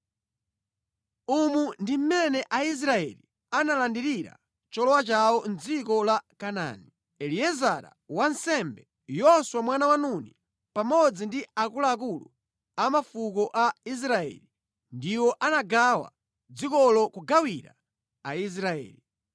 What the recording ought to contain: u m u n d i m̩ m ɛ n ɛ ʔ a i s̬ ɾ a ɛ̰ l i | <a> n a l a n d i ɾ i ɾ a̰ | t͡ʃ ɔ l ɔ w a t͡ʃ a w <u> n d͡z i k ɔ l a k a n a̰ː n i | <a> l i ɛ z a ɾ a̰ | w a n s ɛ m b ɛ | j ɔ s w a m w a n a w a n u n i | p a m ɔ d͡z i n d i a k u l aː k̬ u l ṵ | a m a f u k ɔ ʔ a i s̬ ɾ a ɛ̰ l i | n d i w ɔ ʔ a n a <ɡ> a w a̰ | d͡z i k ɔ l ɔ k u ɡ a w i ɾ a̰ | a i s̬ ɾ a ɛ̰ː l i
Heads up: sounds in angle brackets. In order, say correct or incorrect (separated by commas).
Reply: correct, incorrect, incorrect, correct